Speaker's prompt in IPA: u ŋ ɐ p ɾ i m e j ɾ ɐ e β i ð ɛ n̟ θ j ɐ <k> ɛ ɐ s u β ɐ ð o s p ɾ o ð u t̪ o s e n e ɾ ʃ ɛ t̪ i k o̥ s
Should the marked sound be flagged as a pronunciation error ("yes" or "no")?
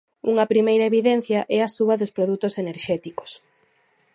yes